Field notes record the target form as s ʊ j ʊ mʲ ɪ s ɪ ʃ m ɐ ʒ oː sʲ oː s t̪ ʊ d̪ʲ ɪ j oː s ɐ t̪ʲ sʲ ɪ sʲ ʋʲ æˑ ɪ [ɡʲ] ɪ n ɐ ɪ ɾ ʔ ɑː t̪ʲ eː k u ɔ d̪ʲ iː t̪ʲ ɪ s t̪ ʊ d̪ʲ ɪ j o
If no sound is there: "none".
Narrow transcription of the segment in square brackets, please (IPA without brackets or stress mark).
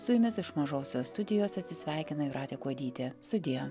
kʲ